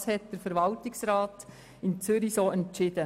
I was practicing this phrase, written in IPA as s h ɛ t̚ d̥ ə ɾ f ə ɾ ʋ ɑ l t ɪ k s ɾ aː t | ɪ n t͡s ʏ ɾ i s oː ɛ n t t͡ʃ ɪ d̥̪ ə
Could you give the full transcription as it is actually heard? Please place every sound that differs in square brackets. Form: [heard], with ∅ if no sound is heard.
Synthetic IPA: s h ɛ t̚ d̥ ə ɾ f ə ɾ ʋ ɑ l t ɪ k s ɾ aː t | ɪ n t͡s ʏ ɾ i s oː ɛ n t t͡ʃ ɪ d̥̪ ə